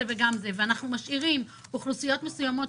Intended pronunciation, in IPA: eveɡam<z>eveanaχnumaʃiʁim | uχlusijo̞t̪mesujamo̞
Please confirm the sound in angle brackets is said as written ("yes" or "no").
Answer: yes